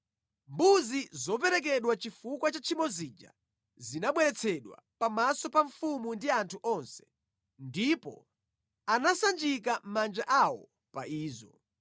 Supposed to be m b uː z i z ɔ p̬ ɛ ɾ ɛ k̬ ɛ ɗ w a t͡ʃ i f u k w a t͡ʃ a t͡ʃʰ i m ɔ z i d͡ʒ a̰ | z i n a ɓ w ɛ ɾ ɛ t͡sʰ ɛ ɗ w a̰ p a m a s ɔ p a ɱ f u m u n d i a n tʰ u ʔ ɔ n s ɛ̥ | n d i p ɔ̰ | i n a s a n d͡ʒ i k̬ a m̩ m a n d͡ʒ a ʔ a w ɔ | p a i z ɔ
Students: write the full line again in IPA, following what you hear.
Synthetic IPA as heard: m b u z i z ɔ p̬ ɛ ɾ ɛ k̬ ɛ ɗ w a t͡ʃ i f u k w a t͡ʃ a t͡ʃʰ i m ɔ z i d͡ʒ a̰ | z i n a ɓ w ɛ ɾ ɛ t͡sʰ ɛ ɗ w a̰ p a m a s ɔ p a ɱ f u m u n d i a n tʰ u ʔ ɔ n s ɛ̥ | n d i p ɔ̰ | a n a s a n d͡ʒ i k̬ a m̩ m a n d͡ʒ a ʔ a w ɔ | p a iː z ɔ

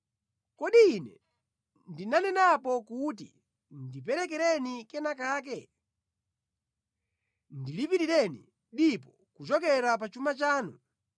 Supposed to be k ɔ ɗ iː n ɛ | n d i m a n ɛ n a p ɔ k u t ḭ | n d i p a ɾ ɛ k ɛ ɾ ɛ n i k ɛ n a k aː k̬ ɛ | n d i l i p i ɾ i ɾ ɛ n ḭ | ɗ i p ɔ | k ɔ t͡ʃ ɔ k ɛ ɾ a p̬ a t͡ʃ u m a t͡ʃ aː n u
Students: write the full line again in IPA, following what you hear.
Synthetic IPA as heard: k ɔ ɗ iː n ɛ | n d i n a n ɛ n a p ɔ k u t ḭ | n d i p ɛ ɾ ɛ k ɛ ɾ ɛ n i k ɛ n a k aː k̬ ɛ | n d i l i p i ɾ i ɾ ɛ n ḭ | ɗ i p ɔ | k u t͡ʃ ɔ k ɛ ɾ a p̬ a t͡ʃ u m a t͡ʃ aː n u

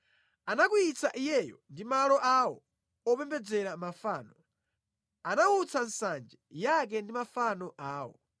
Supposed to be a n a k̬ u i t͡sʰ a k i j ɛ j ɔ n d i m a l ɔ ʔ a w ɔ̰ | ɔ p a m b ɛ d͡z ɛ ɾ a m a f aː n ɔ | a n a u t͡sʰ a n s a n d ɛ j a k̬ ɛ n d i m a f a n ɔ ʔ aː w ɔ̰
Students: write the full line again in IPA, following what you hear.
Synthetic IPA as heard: a n a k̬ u i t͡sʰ a ʔ i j ɛ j ɔ n d i m a l ɔ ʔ a w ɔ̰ | ɔ p ɛ m b ɛ d͡z ɛ ɾ a m a f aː n ɔ | a n a u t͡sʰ a n s a n d͡ʒ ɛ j a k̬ ɛ n d i m a f a n ɔ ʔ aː w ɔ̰

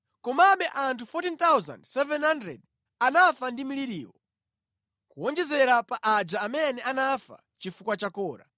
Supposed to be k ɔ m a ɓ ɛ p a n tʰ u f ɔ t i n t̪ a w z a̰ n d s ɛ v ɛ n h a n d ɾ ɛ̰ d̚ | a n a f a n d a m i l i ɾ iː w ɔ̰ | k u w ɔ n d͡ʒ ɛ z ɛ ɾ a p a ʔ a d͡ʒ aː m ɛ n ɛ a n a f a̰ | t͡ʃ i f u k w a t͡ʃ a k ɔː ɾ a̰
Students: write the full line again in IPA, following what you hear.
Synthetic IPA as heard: k ɔ m a ɓ ɛ ʔ a n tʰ u f ɔ t i n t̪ a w z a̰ n d s ɛ v ɛ n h a n d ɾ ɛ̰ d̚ | a n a f a n d i m i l i ɾ iː w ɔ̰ | k u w ɔ n d͡ʒ ɛ z ɛ ɾ a p a ʔ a d͡ʒ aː m ɛ n ɛ a n a f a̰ | t͡ʃ i f u k w a t͡ʃ a k ɔː ɾ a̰

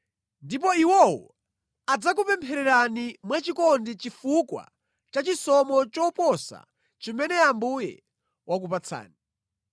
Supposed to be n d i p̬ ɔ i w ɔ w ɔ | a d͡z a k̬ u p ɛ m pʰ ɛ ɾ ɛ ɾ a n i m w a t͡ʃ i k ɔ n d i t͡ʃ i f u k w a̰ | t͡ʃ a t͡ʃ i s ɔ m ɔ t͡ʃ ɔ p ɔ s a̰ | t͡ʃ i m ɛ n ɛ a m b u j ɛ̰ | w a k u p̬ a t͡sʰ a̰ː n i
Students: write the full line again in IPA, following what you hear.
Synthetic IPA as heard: n d i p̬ ɔ i w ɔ w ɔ | a d͡z a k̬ u p ɛ m pʰ ɛ ɾ ɛ ɾ a n i m w a t͡ʃ i k ɔ n d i t͡ʃ i f u k w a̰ | t͡ʃ a t͡ʃ i s ɔ m ɔ t͡ʃ ɔ p ɔ s a̰ | t͡ʃ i m ɛ n ɛ a m b u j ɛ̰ | w a k u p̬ a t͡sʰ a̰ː n i

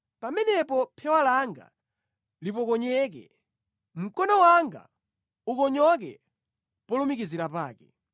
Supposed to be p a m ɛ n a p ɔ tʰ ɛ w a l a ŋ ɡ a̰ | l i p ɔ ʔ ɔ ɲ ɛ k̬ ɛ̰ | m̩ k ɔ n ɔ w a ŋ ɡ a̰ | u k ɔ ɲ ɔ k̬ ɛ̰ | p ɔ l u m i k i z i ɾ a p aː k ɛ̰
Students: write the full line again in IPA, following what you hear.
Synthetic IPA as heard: p a m ɛ n ɛ p ɔ pʰ ɛ w a l a ŋ ɡ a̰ | l i p ɔ k ɔ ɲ ɛ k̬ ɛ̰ | m̩ k ɔ n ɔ w a ŋ ɡ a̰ | u k ɔ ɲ ɔ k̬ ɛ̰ | p ɔ l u m i k i z i ɾ a p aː k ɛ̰

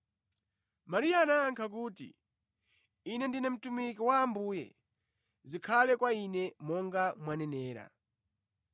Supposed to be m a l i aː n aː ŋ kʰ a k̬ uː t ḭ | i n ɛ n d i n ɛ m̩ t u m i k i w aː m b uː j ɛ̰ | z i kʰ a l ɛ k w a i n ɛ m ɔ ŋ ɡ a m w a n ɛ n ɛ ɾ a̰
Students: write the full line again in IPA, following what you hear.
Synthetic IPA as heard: m a ɾ i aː n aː ŋ kʰ a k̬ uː t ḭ | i n ɛ n d i n ɛ m̩ t u m i k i w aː m b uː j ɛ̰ | z i kʰ a l ɛ k w a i n ɛ m ɔ ŋ ɡ a m w a n ɛ n ɛː ɾ a̰

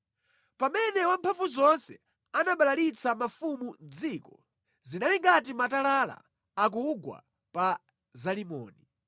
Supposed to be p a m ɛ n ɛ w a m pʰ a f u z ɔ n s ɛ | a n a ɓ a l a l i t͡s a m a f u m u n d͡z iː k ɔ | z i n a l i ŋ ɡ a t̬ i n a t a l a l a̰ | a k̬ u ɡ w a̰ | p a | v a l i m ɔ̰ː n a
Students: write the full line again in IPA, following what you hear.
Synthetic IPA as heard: p a m ɛ n ɛ w a m pʰ a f u z ɔ n s ɛ | a n a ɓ a l a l i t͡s a m a f u m u n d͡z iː k ɔ | z i n a l i ŋ ɡ a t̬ i m a t a l a l a̰ | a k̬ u ɡ w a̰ | p a | z a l i m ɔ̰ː n i

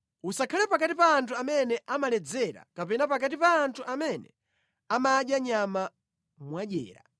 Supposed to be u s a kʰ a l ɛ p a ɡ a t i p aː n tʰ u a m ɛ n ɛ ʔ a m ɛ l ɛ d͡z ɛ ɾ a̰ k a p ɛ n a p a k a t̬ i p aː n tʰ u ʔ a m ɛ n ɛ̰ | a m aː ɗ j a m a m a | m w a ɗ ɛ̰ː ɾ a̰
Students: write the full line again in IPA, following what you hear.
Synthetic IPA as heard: u s a kʰ a l ɛ p a k a t i p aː n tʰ u a m ɛ n ɛ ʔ a m a l ɛ d͡z ɛ ɾ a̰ k a p ɛ n a p a k a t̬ i p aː n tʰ u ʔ a m ɛ n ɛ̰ | a m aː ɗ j a ɲ a m a | m w a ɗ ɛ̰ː ɾ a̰

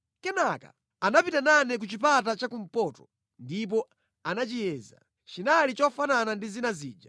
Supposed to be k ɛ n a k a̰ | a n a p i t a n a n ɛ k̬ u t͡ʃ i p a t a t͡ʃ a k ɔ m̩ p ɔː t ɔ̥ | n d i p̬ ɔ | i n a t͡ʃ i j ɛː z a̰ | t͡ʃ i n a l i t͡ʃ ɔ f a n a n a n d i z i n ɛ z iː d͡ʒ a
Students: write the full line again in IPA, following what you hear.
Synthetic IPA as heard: k ɛ n a k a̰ | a n a p i t a n a n ɛ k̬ u t͡ʃ i p a t a t͡ʃ a k u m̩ p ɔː t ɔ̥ | n d i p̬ ɔ | a n a t͡ʃ i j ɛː z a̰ | t͡ʃ i n a l i t͡ʃ ɔ f a n a n a n d i z i n a z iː d͡ʒ a

